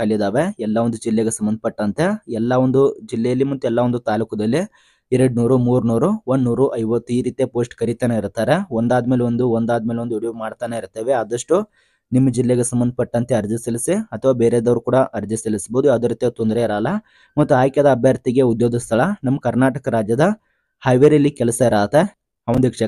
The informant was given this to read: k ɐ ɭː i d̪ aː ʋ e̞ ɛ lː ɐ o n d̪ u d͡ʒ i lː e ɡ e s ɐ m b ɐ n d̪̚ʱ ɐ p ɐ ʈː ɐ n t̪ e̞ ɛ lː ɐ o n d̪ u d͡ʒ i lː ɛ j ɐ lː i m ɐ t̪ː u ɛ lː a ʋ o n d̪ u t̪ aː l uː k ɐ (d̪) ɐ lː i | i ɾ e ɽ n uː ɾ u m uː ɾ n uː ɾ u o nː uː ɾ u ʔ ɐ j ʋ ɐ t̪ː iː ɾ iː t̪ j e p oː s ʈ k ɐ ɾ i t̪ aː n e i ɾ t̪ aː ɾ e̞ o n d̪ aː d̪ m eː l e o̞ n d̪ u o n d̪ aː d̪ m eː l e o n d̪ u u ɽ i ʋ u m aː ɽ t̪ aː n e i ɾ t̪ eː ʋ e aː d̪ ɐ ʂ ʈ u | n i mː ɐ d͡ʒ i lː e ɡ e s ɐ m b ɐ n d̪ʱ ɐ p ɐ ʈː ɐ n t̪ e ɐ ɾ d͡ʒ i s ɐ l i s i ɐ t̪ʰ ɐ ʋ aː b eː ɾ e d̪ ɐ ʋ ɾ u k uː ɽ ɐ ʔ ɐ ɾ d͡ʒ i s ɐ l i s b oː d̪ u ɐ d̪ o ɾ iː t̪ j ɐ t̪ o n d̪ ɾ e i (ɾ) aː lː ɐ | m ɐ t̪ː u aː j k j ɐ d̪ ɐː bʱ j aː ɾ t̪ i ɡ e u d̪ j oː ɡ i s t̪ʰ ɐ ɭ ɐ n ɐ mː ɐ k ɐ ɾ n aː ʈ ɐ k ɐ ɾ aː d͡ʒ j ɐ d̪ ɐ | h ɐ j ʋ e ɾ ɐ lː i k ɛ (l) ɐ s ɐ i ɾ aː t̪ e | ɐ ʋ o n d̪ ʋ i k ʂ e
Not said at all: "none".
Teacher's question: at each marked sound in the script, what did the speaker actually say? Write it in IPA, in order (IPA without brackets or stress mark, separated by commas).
d̪, ɾ, l